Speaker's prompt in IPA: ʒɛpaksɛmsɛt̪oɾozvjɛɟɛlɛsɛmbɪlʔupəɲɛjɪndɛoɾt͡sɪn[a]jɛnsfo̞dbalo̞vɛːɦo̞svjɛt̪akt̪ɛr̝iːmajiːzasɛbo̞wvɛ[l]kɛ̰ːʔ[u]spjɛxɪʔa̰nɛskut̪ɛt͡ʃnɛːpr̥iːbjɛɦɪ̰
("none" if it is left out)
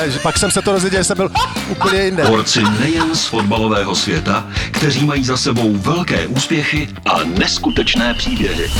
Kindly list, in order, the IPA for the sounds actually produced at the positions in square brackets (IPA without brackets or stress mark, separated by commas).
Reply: ɛ, l, uː